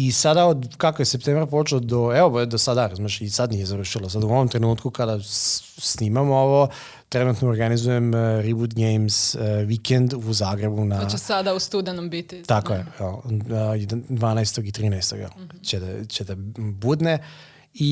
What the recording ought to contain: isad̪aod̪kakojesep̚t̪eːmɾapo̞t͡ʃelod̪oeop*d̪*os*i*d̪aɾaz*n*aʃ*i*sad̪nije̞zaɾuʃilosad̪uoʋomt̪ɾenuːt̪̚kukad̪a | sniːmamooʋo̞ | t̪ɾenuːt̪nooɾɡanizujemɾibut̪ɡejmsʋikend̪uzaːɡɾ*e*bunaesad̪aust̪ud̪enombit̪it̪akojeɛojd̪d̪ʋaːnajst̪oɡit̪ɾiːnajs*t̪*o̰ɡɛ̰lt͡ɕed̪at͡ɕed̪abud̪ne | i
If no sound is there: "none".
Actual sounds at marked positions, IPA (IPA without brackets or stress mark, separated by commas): d̪, a, m, i, e, t̪